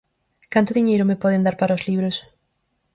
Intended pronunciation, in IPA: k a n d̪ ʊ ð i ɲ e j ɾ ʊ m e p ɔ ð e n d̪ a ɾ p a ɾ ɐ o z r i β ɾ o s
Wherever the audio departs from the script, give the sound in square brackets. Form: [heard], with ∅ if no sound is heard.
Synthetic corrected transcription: k a n [t̪] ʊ ð i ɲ e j ɾ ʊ m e p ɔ ð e n d̪ a ɾ p a ɾ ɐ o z [l] i β ɾ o s